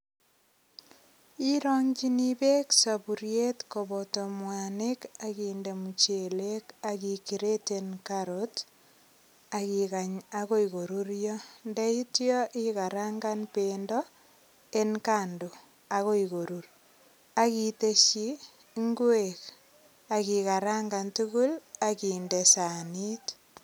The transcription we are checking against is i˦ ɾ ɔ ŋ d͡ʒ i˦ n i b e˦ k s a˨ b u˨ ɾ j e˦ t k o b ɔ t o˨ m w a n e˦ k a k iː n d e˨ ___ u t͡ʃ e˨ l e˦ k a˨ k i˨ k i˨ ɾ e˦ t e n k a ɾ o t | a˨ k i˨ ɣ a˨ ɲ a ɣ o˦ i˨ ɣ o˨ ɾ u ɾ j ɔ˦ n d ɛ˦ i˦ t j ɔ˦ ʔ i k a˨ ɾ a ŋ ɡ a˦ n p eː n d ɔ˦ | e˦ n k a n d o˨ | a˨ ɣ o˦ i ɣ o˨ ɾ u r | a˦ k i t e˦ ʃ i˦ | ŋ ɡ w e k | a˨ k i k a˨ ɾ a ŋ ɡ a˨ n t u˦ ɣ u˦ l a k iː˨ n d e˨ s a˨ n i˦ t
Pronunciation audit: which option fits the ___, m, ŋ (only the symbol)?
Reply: m